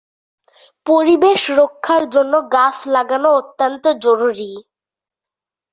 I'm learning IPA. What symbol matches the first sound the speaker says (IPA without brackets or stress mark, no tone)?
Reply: p